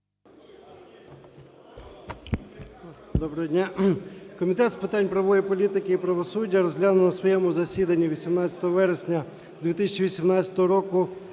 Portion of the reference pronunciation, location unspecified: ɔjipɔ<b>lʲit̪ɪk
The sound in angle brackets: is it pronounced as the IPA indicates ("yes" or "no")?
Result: no